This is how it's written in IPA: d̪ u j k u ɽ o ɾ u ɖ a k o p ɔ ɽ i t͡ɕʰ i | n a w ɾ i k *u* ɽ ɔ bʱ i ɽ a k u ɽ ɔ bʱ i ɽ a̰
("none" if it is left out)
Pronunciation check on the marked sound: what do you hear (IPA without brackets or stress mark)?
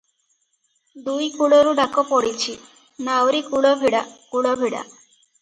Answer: u